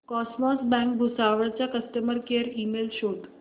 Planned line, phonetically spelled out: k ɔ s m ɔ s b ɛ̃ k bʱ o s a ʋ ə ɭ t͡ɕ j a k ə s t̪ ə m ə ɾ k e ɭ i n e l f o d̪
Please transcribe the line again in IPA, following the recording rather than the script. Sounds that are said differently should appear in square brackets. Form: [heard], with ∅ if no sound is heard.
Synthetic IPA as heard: k ɔ s m ɔ s b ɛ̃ k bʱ [u] s a ʋ ə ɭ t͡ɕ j a k ə s t̪ ə m ə ɾ k e [ɾ] i [m] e l [ɕ] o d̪